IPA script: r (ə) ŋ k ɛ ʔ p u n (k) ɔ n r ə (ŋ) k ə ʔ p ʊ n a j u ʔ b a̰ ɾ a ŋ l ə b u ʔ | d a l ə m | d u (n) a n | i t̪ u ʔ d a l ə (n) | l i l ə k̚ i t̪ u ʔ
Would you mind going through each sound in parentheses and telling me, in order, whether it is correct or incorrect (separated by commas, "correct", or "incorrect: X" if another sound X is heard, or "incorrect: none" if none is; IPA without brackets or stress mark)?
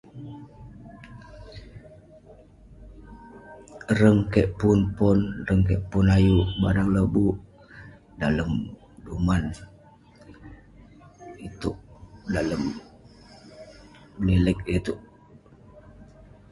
correct, incorrect: p, correct, incorrect: m, incorrect: m